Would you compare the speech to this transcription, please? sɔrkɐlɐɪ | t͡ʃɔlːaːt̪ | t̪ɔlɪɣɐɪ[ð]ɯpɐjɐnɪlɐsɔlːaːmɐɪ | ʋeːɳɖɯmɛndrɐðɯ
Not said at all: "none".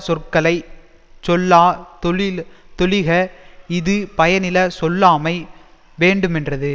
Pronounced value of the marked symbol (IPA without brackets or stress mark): ð